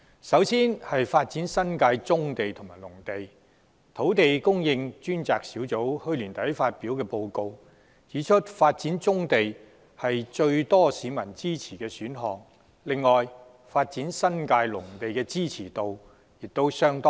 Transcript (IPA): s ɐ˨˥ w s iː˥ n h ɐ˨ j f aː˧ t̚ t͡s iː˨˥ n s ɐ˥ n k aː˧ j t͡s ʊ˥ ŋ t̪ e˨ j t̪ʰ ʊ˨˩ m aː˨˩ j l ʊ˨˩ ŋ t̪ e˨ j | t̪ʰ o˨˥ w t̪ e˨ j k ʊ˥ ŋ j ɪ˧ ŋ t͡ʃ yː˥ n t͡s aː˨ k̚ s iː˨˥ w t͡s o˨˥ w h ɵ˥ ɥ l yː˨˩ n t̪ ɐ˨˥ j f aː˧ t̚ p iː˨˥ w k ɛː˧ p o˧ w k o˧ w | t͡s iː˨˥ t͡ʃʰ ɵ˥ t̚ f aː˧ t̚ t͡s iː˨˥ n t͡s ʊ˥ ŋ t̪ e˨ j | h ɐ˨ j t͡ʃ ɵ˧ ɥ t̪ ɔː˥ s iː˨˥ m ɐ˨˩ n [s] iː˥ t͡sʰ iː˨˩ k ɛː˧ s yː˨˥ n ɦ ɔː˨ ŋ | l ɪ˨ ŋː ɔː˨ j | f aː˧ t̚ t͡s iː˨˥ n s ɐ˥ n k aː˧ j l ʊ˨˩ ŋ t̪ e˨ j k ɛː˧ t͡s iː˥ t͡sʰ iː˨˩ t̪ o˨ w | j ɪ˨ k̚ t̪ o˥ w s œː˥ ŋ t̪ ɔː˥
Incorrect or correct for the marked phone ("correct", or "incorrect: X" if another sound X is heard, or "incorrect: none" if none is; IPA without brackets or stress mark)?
incorrect: t͡s